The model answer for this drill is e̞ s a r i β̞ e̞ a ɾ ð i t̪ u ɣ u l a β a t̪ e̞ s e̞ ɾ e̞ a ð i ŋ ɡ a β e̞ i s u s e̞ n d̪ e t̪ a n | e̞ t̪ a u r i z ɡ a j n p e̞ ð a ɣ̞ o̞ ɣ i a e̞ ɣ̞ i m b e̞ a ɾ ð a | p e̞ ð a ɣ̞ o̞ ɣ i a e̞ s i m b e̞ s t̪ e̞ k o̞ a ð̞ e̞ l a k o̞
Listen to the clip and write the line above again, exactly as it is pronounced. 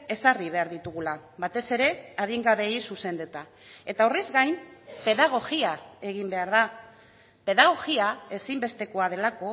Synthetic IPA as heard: e̞ s a r i β̞ e̞ a ɾ ð i t̪ u ɣ u l a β a t̪ e̞ s e̞ ɾ e̞ a ð i ŋ ɡ a β e̞ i s u s e̞ n d̪ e t̪ a | e̞ t̪ a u r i z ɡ a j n p e̞ ð a ɣ̞ o̞ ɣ i a e̞ ɣ̞ i m b e̞ a ɾ ð a | p e̞ ð a ɣ̞ o̞ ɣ i a e̞ s i m b e̞ s t̪ e̞ k o̞ a ð̞ e̞ l a k o̞